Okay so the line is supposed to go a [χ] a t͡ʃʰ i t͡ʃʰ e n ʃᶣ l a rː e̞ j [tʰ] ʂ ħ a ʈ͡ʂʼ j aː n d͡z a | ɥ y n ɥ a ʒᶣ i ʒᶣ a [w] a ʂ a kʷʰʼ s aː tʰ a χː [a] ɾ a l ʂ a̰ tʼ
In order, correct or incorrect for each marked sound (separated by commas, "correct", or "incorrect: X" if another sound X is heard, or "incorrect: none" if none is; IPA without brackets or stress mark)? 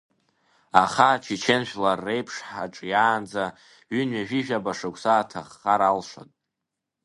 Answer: correct, incorrect: pʰ, incorrect: b, correct